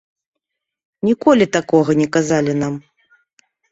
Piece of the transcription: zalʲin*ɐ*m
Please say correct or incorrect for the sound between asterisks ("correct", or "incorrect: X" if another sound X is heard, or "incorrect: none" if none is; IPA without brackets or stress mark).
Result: incorrect: a